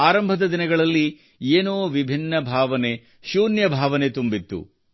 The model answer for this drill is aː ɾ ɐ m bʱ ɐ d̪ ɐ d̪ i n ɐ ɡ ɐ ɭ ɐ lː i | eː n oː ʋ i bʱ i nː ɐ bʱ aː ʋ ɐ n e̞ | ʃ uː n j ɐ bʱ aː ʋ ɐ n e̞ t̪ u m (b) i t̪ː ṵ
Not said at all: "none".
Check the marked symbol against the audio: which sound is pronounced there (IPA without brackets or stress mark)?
b